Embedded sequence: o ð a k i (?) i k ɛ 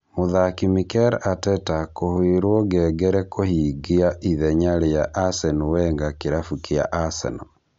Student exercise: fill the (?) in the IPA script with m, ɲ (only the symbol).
m